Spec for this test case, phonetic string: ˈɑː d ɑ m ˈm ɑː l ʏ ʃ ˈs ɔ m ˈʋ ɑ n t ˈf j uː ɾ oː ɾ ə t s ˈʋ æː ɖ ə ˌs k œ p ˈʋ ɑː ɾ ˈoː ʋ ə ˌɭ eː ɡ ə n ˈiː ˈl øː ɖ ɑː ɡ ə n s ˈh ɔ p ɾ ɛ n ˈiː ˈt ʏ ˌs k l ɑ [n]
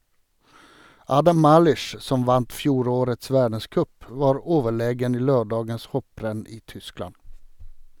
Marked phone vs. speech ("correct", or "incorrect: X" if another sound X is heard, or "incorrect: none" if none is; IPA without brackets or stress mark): correct